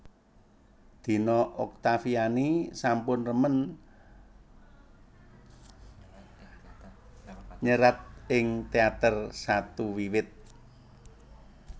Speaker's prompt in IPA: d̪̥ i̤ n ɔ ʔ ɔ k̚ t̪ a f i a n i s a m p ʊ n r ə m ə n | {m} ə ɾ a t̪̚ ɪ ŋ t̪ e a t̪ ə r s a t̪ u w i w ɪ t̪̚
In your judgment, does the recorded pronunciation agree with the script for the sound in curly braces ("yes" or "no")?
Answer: no